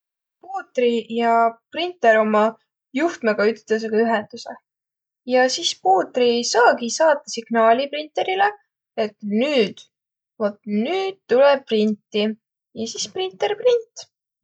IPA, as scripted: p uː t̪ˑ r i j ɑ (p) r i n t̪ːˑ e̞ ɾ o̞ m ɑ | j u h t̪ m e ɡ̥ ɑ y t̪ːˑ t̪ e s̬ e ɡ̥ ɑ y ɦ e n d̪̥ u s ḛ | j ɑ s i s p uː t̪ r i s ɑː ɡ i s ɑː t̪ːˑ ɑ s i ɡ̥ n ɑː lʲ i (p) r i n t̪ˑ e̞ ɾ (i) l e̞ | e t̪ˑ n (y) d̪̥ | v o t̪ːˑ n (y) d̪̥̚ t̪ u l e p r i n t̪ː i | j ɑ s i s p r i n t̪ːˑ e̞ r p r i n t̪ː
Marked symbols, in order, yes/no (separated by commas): yes, yes, yes, no, no